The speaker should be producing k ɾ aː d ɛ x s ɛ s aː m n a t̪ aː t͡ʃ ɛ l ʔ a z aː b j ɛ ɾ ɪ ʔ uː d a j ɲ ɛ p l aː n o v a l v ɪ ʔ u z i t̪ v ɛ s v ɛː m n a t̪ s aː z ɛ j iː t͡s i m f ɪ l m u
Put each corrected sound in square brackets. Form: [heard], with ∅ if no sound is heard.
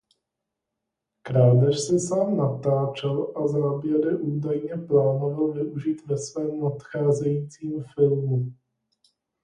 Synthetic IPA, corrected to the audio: k ɾ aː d ɛ [ʃ] s ɛ s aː m n a t̪ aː t͡ʃ ɛ l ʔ a z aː b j ɛ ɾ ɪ ʔ uː d a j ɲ ɛ p l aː n o v a l v ɪ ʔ u [ʒ] i t̪ v ɛ s v ɛː m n a t̪ [x] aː z ɛ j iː t͡s [iː] m f ɪ l m u